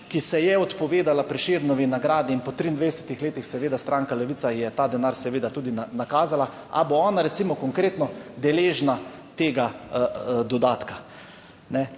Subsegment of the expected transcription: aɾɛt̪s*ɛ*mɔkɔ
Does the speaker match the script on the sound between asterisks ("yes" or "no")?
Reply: no